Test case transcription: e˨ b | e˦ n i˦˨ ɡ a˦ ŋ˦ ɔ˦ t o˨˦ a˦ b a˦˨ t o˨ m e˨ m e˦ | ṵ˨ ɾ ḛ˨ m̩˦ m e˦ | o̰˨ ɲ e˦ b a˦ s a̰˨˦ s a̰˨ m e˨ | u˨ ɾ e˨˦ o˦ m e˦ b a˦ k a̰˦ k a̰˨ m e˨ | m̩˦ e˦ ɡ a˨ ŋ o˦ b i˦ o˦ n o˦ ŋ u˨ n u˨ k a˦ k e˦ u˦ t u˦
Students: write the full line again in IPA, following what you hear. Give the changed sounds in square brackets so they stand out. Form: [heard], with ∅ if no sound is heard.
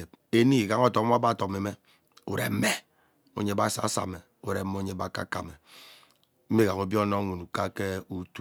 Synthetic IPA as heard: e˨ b | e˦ n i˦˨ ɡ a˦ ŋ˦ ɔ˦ t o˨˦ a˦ b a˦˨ t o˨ m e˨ m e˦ | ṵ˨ ɾ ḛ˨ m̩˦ m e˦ | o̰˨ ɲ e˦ b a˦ s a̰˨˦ s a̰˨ m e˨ | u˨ ɾ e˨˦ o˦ [ɲ] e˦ b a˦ k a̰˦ k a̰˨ m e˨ | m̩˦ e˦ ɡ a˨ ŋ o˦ b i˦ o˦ n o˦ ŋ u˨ n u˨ k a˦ k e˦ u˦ t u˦

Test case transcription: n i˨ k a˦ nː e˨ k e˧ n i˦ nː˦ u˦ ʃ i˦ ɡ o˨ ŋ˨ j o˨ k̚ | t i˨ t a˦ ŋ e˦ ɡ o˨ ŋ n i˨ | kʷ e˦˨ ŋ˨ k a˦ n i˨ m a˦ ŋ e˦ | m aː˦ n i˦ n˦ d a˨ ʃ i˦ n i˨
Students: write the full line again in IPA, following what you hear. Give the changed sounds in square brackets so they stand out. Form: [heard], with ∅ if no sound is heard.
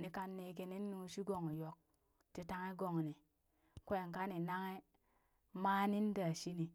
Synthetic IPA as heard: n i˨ k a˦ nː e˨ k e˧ n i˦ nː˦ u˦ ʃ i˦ ɡ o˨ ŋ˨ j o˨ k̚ | t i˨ t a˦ ŋ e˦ ɡ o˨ ŋ n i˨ | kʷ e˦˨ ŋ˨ k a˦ n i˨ [n] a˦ ŋ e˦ | m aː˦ n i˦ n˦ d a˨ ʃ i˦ n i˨

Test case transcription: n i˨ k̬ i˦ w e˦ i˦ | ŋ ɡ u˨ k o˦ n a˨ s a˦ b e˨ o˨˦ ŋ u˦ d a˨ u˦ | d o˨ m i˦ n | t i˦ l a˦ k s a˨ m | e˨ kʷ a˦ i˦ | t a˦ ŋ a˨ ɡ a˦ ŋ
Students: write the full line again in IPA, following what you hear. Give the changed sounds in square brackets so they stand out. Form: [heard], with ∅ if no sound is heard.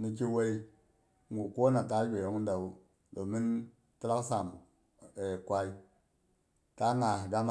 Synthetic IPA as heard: n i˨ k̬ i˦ w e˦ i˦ | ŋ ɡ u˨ k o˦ n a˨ [t] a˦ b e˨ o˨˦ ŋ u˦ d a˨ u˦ | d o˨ m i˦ n | t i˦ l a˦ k s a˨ m | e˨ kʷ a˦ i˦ | t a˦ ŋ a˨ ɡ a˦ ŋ

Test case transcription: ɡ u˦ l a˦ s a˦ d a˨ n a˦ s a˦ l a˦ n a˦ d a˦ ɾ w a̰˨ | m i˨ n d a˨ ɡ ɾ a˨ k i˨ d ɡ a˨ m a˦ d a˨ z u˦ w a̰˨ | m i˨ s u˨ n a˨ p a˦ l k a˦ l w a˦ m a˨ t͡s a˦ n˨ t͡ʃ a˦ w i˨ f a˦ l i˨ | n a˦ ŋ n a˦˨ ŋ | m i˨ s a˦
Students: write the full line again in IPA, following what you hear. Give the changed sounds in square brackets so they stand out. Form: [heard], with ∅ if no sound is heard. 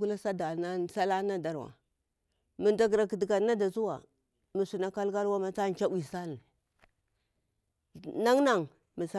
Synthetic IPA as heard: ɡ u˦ l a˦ s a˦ d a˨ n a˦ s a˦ l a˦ n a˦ d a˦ ɾ w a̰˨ | m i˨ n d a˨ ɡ ɾ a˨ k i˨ d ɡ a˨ [n] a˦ d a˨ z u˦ w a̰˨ | m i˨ s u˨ n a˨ [k] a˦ l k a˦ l w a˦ m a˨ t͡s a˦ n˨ t͡ʃ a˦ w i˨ [s] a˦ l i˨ | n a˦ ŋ n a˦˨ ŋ | m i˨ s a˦

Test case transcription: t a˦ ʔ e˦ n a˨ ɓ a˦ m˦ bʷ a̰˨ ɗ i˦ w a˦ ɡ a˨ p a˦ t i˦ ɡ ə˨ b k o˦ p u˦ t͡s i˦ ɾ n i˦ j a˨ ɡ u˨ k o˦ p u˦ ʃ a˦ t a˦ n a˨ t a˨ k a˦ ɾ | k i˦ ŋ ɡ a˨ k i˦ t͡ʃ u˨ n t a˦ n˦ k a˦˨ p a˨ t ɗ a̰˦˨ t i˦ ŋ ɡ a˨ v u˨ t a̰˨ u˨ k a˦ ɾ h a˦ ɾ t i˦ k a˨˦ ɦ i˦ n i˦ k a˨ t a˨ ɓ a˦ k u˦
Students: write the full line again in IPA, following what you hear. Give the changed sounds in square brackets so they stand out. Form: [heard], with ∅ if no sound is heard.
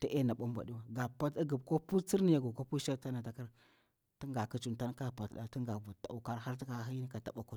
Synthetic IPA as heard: t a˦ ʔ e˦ n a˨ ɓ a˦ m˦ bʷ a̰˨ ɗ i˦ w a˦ ɡ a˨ p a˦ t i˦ ɡ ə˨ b k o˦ p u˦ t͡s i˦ ɾ n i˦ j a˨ ɡ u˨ k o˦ p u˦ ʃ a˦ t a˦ n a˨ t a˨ k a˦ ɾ | [t] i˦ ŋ ɡ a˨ k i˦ t͡ʃ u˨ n t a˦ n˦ k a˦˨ p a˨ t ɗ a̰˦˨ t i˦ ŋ ɡ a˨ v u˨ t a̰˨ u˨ k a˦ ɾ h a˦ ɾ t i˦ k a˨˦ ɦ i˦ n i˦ k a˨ t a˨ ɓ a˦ k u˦

